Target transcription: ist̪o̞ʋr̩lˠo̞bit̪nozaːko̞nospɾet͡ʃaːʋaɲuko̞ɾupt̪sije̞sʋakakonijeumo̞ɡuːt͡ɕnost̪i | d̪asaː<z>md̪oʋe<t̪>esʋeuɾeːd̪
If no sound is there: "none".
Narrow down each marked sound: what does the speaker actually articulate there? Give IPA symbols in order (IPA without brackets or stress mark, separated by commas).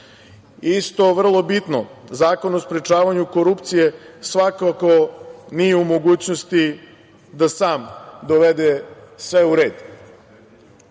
none, d̪